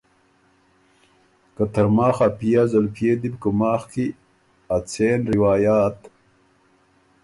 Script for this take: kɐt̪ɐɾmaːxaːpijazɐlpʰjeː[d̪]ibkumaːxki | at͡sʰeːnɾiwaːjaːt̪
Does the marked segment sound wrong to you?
no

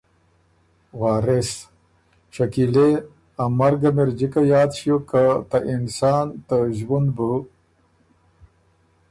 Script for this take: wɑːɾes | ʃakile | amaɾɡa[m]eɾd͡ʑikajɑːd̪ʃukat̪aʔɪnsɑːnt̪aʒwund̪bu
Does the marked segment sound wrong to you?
no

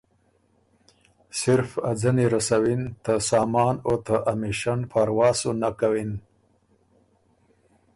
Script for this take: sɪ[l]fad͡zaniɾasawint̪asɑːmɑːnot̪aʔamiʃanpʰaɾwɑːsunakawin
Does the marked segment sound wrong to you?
yes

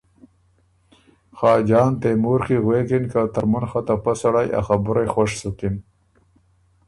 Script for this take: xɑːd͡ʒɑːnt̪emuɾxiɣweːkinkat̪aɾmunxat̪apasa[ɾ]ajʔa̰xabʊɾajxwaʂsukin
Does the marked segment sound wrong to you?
yes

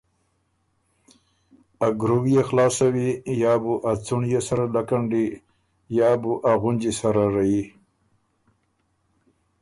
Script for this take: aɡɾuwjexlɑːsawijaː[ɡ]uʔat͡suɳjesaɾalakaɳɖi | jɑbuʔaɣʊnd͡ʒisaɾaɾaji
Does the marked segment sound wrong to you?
yes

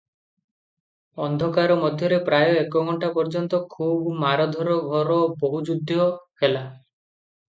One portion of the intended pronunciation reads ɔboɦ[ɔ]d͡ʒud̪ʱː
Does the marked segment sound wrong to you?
yes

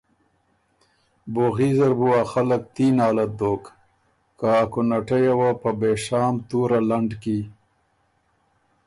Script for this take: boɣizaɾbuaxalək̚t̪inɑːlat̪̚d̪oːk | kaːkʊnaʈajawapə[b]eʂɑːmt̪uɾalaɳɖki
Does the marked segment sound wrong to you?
no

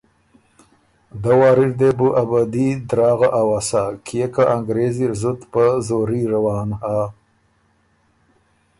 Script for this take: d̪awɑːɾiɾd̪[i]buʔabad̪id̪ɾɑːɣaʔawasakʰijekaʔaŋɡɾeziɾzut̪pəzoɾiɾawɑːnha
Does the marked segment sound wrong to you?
yes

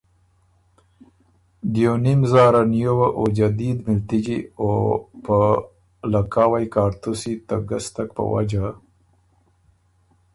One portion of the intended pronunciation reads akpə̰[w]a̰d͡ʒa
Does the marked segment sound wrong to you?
no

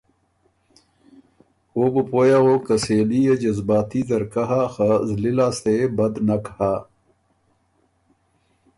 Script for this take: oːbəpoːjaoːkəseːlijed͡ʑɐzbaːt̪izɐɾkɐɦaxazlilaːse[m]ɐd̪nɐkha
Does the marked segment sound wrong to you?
yes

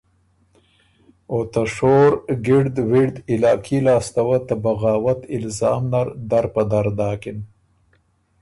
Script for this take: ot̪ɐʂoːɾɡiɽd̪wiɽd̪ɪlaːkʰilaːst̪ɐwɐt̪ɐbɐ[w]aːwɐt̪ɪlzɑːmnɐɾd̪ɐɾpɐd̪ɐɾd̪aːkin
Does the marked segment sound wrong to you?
yes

